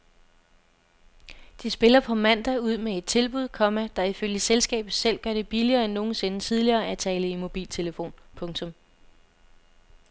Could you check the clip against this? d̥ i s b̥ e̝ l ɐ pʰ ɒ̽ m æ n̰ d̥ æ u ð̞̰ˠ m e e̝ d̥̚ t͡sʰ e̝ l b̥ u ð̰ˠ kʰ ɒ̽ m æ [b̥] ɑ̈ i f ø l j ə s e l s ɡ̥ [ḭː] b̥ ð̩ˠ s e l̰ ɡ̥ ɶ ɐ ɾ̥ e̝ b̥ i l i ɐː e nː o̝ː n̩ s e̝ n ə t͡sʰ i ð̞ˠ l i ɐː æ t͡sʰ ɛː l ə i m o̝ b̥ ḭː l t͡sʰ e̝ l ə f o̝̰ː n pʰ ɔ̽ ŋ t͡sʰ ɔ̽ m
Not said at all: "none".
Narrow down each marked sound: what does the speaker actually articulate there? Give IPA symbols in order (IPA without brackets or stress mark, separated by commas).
d̥, ɛ̰ː